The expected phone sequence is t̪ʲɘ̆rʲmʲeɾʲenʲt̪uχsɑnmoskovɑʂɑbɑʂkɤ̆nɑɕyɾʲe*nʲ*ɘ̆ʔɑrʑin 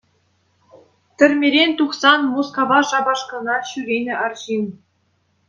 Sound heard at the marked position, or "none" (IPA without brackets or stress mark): nʲ